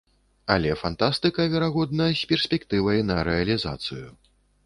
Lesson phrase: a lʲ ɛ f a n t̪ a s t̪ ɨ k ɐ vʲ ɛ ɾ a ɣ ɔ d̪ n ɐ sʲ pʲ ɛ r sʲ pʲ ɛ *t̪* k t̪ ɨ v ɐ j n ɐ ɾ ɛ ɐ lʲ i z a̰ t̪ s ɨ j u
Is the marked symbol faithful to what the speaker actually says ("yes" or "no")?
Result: no